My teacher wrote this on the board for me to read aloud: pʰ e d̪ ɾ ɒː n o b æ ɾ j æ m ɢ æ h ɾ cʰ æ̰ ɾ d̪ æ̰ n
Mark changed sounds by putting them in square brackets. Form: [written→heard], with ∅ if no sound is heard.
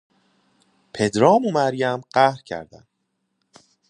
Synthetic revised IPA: pʰ e d̪ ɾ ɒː [n→m] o [b→m] æ ɾ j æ m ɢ æ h ɾ cʰ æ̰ ɾ d̪ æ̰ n

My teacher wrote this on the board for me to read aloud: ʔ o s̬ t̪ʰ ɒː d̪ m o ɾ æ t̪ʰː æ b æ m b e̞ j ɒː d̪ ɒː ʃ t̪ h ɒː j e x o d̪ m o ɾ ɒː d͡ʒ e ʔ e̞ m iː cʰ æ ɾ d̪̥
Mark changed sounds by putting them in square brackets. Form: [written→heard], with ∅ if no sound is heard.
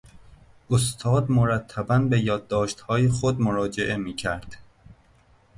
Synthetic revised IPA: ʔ o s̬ t̪ʰ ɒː d̪ m o ɾ æ t̪ʰː æ b æ [m→n] b e̞ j ɒː [d̪→d̪ː] ɒː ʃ t̪ h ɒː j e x o d̪ m o ɾ ɒː d͡ʒ e ʔ e̞ m iː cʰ æ ɾ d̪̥

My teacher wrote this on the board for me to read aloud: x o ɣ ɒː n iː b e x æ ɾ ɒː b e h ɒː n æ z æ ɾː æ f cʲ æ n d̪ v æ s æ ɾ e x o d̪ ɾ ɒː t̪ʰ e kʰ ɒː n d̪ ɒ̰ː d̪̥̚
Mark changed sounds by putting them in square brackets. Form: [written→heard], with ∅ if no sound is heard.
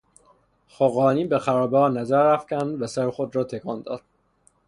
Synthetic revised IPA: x o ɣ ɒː n iː b e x æ ɾ ɒː b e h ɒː n æ z æ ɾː æ f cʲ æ n d̪ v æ s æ ɾ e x o d̪ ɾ ɒː t̪ʰ e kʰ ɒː n d̪ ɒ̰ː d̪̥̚

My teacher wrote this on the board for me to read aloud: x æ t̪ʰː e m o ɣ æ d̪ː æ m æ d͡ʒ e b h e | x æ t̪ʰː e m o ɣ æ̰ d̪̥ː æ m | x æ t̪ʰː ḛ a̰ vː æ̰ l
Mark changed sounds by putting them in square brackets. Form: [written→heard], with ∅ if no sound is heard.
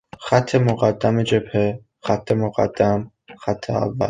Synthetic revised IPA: x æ t̪ʰː e m o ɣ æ d̪ː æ m [æ→e] d͡ʒ e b h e | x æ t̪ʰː e m o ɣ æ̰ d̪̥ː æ m | x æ t̪ʰː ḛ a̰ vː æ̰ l

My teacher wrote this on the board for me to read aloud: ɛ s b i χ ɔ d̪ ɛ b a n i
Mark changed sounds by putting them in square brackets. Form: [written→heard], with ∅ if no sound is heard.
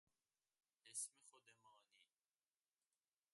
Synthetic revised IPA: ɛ s [b→m] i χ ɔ d̪ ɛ [b→m] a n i

